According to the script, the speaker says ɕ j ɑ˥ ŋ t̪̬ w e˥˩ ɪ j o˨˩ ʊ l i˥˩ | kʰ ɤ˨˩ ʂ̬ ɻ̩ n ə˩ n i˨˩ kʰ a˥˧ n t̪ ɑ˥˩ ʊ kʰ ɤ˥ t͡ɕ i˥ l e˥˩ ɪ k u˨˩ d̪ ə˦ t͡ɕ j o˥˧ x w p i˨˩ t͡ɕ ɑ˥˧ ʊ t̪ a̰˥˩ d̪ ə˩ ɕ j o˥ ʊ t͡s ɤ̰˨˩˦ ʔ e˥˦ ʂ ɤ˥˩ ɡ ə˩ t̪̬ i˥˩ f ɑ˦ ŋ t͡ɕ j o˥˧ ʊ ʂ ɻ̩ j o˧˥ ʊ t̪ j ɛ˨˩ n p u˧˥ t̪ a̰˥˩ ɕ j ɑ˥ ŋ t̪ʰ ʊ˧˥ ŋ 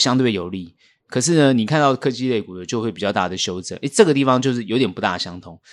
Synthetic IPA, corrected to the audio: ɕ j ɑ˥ ŋ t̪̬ w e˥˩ ɪ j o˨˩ ʊ l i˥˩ | kʰ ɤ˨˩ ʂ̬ ɻ̩ n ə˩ n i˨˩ kʰ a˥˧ n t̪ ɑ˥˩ ʊ kʰ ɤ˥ t͡ɕ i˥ l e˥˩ ɪ k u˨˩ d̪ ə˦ t͡ɕ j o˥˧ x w p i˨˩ t͡ɕ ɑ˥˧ ʊ t̪ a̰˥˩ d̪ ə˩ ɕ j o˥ ʊ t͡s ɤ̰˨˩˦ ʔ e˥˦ ʈ͡ʂ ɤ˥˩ ɡ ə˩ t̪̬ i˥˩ f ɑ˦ ŋ t͡ɕ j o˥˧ ʊ ʂ ɻ̩ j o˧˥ ʊ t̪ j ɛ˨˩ n p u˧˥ t̪ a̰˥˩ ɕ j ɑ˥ ŋ t̪ʰ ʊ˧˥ ŋ